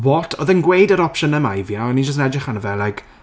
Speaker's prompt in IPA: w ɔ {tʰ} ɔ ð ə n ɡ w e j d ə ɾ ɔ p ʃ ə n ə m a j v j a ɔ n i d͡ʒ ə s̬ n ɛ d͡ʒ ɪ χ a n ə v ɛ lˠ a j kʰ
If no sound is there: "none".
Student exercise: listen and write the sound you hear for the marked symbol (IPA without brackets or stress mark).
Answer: tʰ